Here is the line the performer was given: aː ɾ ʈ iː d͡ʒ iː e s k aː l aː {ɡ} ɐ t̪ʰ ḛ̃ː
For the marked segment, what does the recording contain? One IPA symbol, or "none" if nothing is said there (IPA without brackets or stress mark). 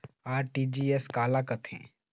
k